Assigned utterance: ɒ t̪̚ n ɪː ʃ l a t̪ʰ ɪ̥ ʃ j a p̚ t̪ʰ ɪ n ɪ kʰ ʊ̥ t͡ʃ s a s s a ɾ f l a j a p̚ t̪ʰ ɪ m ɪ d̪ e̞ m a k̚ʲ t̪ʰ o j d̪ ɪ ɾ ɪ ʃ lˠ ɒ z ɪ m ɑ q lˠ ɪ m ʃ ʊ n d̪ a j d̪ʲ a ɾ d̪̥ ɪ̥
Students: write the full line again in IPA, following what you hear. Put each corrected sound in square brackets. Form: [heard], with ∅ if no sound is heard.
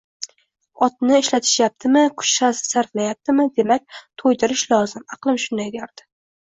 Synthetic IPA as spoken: ɒ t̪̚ n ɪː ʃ l a t̪ʰ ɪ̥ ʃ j a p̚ t̪ʰ ɪ [m] ɪ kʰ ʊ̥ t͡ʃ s a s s a ɾ f l a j a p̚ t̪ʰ ɪ m ɪ d̪ e̞ m a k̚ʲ t̪ʰ o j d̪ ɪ ɾ ɪ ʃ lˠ ɒ z ɪ m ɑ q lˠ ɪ m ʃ ʊ n d̪ a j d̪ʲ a ɾ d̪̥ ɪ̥